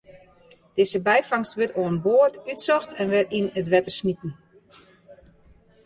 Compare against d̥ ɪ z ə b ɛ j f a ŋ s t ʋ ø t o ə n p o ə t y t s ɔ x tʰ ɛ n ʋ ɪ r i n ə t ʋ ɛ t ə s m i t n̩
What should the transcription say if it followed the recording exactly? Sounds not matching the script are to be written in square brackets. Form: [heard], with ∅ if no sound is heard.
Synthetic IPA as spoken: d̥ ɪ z ə b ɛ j f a ŋ s t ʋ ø t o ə n [b] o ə t y t s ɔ x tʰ ɛ n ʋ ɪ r i n ə t ʋ ɛ t ə s m i t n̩